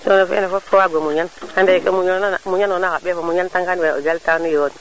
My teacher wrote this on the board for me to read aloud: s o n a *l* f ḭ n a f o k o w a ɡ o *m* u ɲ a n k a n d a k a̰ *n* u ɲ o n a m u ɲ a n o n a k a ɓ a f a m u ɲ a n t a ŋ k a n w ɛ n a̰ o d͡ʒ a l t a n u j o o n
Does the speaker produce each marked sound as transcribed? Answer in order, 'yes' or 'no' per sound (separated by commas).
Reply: no, yes, no